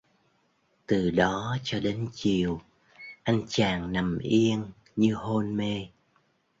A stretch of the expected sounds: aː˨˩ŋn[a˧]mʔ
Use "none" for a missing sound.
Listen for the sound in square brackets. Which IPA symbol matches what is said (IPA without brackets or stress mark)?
a˨˩